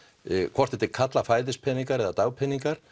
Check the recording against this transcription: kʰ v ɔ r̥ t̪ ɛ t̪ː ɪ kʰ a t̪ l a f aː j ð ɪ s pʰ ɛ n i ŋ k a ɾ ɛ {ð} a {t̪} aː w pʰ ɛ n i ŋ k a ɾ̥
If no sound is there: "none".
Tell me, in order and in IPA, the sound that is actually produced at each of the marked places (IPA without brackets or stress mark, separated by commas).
ð, t̪